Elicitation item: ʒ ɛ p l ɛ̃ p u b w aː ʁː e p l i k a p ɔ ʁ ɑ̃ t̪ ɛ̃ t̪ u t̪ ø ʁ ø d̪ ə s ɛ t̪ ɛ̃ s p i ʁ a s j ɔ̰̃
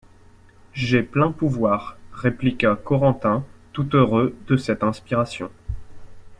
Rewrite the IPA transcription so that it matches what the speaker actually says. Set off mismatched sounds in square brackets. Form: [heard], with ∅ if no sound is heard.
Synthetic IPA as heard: ʒ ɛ p l ɛ̃ p u [v] w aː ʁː e p l i k a [k] ɔ ʁ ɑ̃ t̪ ɛ̃ t̪ u t̪ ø ʁ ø d̪ ə s ɛ t̪ ɛ̃ s p i ʁ a s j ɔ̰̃

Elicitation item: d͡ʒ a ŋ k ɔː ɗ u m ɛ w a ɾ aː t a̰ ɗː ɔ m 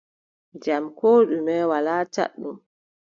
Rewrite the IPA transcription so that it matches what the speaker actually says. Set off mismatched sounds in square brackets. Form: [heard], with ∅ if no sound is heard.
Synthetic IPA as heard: d͡ʒ a [m] k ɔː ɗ u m ɛ w a [l] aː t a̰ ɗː [u] m

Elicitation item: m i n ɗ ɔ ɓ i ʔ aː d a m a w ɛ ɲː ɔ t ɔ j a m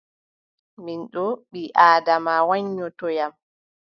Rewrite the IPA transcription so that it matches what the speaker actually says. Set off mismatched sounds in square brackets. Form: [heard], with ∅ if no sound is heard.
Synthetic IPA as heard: m i n ɗ ɔ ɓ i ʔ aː d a m a w [a] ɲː ɔ t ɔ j a m

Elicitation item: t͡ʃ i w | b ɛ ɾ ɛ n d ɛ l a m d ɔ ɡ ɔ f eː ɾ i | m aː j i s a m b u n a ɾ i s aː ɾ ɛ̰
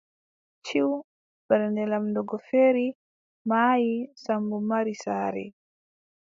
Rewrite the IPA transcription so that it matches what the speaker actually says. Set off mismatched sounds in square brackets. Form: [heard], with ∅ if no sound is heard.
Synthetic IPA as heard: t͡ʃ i w | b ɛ ɾ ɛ n d ɛ l a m d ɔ ɡ ɔ f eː ɾ i | m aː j i s a m b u [m] a ɾ i s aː ɾ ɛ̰

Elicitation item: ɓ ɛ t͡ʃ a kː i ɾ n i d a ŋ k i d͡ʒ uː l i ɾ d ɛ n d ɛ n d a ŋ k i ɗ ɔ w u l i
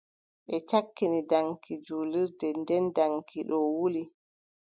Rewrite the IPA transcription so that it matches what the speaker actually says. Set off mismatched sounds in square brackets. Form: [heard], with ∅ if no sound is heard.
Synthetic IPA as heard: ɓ ɛ t͡ʃ a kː i [∅] n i d a ŋ k i d͡ʒ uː l i ɾ d ɛ n d ɛ n d a ŋ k i ɗ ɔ w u l i

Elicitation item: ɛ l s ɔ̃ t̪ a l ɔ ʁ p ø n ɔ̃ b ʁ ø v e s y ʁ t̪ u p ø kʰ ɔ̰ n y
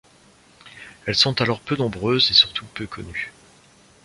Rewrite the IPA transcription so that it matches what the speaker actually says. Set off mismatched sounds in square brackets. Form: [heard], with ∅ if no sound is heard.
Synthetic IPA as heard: ɛ l s ɔ̃ t̪ a l ɔ ʁ p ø n ɔ̃ b ʁ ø [z] e s y ʁ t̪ u p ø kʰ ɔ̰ n y

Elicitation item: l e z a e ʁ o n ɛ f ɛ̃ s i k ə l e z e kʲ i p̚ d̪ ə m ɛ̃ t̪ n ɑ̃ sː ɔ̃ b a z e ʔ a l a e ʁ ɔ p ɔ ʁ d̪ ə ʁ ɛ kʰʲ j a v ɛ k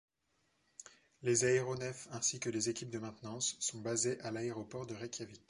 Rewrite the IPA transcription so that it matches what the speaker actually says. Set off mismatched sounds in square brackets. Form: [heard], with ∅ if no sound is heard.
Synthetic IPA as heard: l e z a e ʁ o n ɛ f ɛ̃ s i k ə l e z e kʲ i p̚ d̪ ə m ɛ̃ t̪ n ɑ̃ sː ɔ̃ b a z e ʔ a l a e ʁ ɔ p ɔ ʁ d̪ ə ʁ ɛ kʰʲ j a v [i] k

